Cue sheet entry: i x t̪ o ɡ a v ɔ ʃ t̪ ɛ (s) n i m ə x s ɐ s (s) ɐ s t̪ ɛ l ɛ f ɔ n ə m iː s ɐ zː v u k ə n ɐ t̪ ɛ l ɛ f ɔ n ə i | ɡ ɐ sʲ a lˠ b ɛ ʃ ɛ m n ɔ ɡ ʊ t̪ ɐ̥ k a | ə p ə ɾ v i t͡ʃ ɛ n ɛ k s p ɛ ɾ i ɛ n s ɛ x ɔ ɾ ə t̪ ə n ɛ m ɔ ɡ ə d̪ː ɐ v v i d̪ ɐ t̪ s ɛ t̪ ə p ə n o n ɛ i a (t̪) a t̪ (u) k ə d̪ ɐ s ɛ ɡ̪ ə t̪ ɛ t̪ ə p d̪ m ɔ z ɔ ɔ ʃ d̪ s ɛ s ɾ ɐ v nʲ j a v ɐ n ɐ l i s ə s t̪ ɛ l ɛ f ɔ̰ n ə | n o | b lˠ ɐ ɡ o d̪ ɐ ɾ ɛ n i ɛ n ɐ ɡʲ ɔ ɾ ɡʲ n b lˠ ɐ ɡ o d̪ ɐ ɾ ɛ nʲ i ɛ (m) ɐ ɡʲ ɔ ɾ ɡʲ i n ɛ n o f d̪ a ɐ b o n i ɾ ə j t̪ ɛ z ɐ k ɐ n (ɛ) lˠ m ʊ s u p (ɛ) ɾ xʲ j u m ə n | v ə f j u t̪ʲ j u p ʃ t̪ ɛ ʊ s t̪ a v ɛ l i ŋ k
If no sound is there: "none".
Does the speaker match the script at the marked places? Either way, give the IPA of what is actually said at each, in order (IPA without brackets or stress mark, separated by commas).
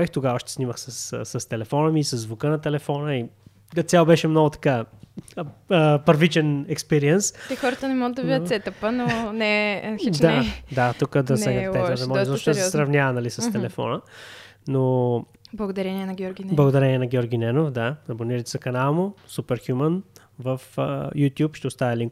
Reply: s, s, d̪, u, n, a, ɛ